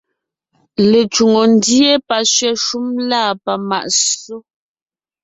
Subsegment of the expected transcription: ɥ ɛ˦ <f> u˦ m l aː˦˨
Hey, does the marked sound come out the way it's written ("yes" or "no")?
no